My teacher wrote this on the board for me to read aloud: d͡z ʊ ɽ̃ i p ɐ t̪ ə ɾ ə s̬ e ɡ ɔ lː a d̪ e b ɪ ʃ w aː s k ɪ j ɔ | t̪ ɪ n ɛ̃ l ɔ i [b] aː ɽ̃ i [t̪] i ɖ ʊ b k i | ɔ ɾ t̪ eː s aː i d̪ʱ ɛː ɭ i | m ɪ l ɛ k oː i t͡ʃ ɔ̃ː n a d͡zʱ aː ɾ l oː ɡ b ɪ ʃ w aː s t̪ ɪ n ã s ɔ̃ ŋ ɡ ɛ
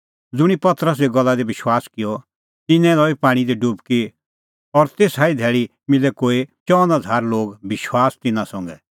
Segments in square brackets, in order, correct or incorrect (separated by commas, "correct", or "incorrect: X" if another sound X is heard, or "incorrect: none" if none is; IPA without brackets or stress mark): incorrect: p, incorrect: d̪